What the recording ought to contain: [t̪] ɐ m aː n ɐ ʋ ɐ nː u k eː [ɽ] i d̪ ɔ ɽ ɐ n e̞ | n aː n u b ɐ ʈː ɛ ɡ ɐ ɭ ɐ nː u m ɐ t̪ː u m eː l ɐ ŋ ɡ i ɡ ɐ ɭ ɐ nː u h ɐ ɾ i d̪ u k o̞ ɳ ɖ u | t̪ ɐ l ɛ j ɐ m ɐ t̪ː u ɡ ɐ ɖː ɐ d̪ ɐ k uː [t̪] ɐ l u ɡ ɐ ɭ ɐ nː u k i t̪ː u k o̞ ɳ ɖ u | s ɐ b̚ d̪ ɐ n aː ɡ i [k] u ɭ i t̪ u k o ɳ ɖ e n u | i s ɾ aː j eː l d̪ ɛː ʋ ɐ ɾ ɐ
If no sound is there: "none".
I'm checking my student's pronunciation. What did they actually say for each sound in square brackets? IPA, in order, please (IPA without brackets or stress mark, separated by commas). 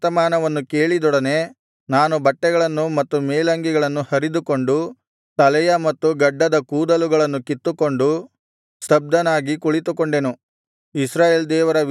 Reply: t̪, ɭ, d̪, k